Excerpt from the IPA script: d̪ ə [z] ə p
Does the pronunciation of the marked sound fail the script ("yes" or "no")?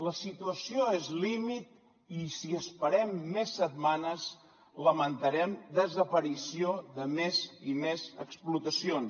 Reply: no